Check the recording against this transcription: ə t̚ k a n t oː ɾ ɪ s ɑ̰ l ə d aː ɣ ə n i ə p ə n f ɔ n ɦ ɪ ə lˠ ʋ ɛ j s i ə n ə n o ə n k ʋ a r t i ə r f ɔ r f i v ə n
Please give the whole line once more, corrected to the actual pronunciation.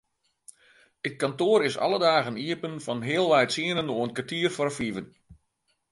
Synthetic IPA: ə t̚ k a n t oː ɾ ɪ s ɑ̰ l ə d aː ɣ ə n i ə p ə n f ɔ n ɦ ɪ ə lˠ ʋ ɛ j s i ə n ə n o ə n k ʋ a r t i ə r f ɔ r f i v ə n